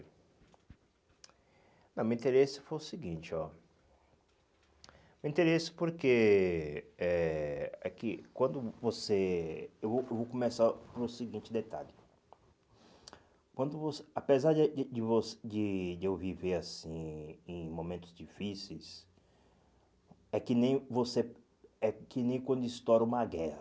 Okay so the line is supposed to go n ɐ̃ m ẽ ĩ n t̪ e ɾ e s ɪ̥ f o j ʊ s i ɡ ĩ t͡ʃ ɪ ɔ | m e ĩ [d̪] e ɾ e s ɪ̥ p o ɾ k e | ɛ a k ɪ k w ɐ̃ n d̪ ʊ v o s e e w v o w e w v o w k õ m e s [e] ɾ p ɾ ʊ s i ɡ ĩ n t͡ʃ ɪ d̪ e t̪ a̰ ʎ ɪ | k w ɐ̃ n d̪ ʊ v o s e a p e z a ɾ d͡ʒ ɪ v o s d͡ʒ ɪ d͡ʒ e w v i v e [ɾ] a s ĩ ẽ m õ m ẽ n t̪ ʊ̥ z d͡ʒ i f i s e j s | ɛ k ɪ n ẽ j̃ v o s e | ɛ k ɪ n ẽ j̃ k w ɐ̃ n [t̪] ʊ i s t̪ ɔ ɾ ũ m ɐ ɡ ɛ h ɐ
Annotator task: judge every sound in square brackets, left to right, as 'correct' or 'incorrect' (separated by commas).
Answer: incorrect, incorrect, correct, incorrect